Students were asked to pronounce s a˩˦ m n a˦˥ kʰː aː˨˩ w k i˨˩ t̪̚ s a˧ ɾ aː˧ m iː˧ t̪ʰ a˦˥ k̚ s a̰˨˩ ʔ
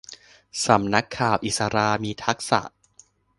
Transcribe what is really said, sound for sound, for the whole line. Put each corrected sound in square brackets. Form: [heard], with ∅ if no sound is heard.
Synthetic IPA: s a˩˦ m n a˦˥ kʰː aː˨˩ w [ʔ] i˨˩ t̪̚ s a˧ ɾ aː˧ m iː˧ t̪ʰ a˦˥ k̚ s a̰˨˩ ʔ